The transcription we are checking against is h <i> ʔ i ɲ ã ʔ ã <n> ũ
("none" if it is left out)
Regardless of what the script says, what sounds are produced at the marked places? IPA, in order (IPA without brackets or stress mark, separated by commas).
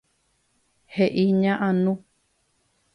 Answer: e, n